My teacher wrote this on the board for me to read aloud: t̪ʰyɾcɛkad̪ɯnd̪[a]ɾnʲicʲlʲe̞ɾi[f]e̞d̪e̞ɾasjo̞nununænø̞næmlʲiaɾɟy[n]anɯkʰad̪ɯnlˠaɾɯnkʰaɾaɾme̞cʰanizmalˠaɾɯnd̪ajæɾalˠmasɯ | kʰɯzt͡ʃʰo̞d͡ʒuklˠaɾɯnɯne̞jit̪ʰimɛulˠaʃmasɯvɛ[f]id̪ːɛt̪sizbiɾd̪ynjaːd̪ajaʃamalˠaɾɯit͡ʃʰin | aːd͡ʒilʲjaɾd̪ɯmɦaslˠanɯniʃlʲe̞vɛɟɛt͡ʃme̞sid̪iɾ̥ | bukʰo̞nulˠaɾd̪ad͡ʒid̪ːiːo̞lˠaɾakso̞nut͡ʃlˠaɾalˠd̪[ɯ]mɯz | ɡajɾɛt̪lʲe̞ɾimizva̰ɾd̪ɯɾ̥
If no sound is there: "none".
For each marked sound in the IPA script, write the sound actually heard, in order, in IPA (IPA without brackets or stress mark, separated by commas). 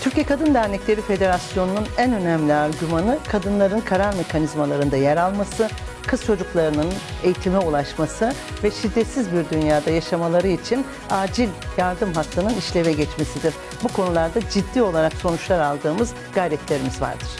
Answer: æ, f, m, ʃ, ɯː